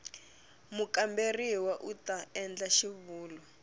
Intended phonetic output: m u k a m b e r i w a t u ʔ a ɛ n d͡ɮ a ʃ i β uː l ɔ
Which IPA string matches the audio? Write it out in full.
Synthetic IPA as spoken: m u k a m b e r i w a ʔ u t a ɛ n d͡ɮ a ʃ i β uː l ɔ

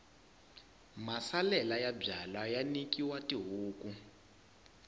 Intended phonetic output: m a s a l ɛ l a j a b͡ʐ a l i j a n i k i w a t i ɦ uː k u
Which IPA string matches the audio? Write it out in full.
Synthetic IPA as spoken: m a s a l ɛ l a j a b͡ʐ a l a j a n i k i w a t i ɦ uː k u

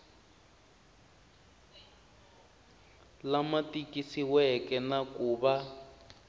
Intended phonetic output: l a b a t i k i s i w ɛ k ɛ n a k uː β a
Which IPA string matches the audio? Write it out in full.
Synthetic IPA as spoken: l a m a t i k i s i w ɛ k ɛ n a k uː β a

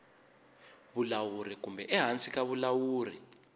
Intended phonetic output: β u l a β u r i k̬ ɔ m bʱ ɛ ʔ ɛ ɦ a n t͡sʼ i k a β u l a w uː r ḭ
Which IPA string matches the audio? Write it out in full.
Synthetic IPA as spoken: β u l a w u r i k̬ u m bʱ ɛ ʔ ɛ ɦ a n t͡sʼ i k a β u l a w uː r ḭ

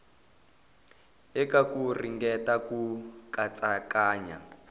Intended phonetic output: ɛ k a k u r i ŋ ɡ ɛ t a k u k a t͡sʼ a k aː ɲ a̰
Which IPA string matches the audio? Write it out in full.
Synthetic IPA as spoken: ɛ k a k u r i ŋ ɡ ɛ t a k u k a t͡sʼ a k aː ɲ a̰

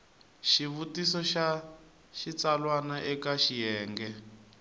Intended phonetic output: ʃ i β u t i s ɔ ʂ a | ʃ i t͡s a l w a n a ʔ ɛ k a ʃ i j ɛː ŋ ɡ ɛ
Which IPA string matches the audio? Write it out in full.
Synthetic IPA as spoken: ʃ i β u t i s ɔ ʃ a | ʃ i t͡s a l w a n a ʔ ɛ k a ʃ i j ɛː ŋ ɡ ɛ

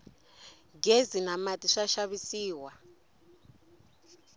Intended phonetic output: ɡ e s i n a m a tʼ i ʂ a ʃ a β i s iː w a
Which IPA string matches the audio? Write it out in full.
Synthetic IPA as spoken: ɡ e z i n a m a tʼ i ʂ a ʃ a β i s iː w a

